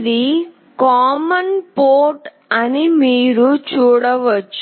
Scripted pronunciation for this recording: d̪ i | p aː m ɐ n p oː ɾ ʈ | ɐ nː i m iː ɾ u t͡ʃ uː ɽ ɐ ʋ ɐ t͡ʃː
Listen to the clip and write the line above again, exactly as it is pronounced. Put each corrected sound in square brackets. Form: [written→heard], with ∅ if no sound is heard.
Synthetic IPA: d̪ i | [p→k] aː m ɐ n p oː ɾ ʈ | ɐ [nː→n] i m iː ɾ u t͡ʃ uː ɽ ɐ ʋ ɐ t͡ʃː